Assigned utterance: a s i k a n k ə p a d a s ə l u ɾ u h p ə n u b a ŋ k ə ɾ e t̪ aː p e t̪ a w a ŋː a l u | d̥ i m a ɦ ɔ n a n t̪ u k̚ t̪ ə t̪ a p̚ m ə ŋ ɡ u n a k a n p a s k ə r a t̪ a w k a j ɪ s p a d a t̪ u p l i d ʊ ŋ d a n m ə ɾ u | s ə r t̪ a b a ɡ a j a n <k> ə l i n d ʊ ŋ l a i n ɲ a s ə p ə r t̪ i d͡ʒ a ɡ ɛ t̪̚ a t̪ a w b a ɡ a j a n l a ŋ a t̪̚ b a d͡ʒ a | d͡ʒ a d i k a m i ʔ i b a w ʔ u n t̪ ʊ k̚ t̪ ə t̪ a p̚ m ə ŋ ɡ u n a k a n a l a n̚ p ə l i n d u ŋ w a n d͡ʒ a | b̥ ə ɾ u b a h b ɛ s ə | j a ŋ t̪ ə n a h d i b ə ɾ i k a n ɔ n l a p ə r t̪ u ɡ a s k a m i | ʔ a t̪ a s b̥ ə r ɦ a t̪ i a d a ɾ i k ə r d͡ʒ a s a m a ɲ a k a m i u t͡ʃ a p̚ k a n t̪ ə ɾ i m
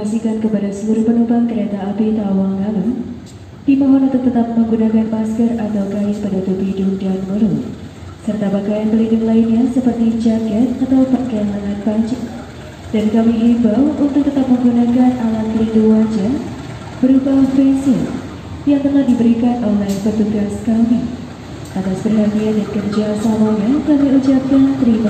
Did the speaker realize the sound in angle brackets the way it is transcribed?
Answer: no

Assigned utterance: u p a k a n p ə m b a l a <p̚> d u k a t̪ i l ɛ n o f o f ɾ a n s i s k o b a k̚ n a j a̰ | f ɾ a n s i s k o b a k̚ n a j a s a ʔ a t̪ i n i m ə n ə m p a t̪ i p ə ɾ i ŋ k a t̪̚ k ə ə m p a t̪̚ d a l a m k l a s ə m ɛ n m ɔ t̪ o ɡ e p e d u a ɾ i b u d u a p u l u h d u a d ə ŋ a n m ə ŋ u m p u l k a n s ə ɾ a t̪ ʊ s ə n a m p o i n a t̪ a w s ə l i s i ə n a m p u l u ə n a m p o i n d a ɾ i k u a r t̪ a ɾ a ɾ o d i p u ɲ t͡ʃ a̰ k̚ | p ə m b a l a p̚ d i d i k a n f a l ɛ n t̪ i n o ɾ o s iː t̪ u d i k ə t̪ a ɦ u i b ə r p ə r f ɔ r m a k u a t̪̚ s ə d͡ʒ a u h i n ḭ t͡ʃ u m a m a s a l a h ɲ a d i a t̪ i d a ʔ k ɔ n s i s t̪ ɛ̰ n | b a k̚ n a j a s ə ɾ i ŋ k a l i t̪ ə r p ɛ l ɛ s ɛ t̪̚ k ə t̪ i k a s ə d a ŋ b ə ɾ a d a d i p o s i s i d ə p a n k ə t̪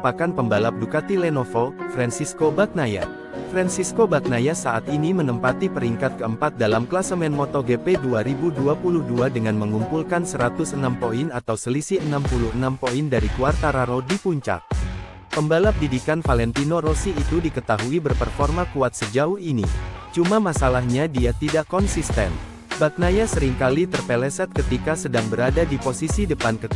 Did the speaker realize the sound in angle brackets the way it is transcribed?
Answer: yes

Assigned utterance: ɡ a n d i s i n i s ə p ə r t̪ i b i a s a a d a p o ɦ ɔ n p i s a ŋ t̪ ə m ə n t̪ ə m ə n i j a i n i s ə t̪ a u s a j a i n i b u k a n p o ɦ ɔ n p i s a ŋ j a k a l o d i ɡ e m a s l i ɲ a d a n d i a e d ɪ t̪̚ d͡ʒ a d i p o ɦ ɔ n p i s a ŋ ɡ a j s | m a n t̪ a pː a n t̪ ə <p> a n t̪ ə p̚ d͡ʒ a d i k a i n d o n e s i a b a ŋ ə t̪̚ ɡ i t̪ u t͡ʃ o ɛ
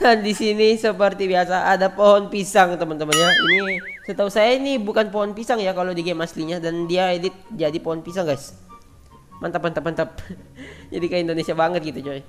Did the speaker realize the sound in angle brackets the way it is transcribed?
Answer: yes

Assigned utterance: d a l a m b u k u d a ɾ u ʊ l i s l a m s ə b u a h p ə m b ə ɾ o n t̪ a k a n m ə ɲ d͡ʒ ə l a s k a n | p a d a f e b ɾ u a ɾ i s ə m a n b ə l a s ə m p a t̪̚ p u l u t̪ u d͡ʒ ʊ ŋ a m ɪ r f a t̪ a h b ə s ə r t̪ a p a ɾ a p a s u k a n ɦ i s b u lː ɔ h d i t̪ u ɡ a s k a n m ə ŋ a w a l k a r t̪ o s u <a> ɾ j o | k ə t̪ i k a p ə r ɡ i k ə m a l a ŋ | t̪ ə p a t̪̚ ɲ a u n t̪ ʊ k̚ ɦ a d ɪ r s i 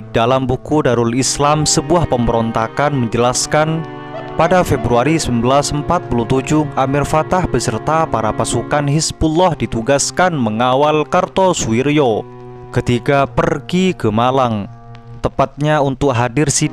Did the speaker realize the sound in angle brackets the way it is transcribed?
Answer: no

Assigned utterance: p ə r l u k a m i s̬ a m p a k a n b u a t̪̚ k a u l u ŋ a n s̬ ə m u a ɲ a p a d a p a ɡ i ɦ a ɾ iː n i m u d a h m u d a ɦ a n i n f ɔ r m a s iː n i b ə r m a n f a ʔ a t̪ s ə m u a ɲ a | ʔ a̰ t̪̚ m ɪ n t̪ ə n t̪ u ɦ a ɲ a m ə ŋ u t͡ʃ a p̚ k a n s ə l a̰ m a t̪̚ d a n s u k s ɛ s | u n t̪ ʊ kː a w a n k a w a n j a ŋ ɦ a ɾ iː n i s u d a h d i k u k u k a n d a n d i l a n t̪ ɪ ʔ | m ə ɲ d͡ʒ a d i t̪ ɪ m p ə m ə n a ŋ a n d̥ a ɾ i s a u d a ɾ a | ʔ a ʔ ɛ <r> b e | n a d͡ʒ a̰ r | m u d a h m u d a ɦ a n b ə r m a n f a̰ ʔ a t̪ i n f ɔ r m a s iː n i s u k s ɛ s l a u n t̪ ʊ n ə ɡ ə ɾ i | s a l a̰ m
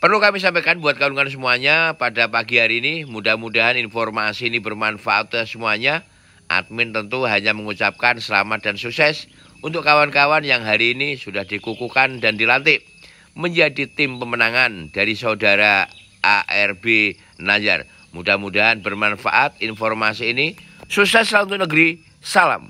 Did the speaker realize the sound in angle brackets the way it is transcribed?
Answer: yes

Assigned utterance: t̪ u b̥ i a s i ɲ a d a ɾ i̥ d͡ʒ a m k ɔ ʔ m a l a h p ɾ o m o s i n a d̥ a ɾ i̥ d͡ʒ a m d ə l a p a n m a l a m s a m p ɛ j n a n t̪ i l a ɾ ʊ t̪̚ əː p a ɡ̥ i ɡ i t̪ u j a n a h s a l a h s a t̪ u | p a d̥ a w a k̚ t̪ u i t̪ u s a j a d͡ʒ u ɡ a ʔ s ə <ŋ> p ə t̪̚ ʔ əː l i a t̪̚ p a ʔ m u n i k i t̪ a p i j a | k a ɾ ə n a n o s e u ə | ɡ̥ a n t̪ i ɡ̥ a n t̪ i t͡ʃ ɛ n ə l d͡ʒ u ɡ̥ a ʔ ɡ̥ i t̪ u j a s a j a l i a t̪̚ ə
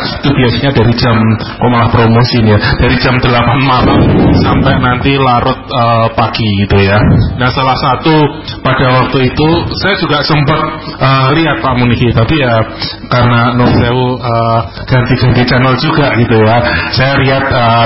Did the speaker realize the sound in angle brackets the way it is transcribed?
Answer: no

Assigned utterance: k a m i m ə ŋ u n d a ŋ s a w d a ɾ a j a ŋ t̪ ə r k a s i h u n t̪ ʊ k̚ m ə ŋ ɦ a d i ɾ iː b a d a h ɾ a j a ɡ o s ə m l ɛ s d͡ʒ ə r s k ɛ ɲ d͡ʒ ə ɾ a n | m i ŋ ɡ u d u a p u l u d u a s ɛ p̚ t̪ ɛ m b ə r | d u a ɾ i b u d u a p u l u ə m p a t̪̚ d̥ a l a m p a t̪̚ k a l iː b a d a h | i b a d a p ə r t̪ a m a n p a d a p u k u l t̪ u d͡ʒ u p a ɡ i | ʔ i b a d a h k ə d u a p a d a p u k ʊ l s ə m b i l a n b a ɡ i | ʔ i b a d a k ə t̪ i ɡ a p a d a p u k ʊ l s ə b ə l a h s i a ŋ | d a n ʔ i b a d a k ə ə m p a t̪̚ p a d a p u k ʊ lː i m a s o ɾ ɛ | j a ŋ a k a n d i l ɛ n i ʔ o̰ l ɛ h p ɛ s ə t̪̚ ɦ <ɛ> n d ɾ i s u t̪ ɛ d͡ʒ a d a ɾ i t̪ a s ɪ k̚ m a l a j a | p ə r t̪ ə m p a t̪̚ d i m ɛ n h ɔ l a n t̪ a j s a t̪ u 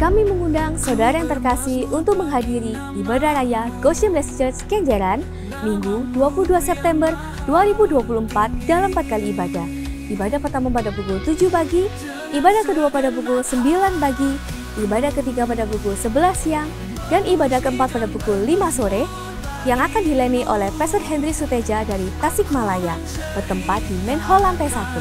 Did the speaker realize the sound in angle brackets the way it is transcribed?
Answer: yes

